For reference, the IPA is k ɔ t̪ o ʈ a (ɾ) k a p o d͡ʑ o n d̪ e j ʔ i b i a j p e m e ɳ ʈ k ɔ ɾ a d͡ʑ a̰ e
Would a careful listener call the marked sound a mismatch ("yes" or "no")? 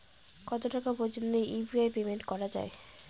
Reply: yes